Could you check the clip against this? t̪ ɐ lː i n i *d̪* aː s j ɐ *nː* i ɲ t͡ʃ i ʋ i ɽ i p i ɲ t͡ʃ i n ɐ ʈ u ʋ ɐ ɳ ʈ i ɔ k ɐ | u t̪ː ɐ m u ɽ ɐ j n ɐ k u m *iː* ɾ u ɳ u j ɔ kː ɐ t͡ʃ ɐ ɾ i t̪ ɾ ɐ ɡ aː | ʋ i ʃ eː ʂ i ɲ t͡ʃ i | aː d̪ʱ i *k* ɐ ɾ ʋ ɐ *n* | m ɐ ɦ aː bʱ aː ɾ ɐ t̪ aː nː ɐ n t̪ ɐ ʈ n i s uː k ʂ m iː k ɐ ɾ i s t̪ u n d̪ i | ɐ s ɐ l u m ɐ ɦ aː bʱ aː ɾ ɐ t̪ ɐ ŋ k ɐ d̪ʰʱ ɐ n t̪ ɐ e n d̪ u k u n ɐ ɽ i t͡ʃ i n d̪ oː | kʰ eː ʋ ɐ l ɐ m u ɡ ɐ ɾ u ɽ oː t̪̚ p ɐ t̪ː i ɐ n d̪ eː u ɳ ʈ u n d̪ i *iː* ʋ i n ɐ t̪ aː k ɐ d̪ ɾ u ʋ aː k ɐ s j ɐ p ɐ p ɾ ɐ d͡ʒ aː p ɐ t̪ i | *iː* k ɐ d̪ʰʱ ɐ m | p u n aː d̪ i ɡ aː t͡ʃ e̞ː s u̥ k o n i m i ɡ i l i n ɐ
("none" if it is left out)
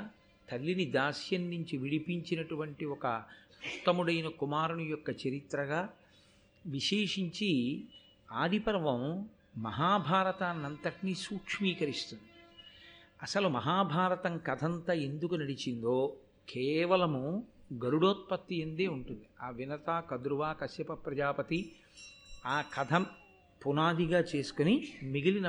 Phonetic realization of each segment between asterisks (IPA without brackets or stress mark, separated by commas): d̪, nː, aː, p, m, aː, aː